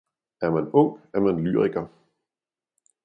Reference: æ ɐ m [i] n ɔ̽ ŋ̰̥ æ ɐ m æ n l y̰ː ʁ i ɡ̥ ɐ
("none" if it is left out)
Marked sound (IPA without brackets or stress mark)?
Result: æ